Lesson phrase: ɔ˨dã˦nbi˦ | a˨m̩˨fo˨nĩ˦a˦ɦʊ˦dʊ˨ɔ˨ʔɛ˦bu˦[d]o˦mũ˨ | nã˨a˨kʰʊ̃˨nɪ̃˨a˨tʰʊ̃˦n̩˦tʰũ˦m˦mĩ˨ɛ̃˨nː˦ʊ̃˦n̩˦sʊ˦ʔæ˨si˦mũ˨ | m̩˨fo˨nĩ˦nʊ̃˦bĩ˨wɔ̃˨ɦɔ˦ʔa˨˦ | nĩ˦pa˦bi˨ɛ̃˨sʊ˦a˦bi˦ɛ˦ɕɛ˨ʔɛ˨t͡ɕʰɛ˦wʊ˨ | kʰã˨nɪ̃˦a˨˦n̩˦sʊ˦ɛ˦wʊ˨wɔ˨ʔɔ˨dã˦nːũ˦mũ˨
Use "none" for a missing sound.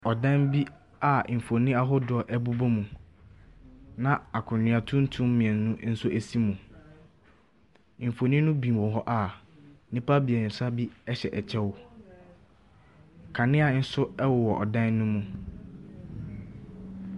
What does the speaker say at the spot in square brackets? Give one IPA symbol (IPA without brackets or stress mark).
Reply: b